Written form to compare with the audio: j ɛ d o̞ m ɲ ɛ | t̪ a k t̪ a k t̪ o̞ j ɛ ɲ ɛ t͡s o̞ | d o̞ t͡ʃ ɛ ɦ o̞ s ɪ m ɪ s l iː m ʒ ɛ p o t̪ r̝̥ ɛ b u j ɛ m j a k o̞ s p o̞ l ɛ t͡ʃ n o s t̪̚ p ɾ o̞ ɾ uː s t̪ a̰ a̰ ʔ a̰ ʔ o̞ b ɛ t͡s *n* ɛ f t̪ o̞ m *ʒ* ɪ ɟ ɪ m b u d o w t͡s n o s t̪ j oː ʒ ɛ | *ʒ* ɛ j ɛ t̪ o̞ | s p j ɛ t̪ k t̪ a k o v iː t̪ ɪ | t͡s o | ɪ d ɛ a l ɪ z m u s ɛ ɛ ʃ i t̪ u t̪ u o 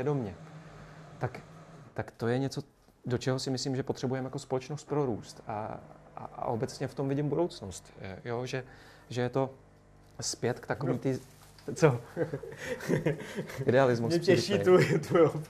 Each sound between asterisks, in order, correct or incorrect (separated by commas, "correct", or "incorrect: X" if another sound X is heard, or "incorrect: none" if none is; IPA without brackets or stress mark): incorrect: ɲ, incorrect: v, correct